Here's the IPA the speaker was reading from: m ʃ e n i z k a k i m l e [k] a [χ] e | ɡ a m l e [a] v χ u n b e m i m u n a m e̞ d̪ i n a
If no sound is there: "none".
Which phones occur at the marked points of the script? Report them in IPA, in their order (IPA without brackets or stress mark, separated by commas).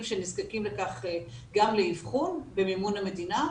k, χ, i